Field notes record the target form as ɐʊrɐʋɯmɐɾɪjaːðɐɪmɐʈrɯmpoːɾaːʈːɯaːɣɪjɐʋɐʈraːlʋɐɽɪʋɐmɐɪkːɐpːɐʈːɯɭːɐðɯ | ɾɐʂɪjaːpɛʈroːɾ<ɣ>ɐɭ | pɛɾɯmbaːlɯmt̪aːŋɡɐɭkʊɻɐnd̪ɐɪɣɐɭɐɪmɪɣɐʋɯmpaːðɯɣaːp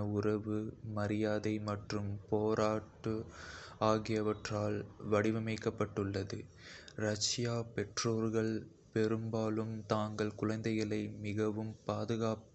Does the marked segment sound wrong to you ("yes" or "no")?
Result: no